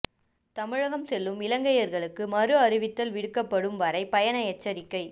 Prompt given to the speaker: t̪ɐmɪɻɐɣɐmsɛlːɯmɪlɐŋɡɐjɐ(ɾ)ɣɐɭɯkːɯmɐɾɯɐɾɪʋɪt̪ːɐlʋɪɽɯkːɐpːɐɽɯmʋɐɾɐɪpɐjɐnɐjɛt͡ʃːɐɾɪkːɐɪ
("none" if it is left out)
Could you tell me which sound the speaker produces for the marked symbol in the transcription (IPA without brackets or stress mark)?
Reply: ɾ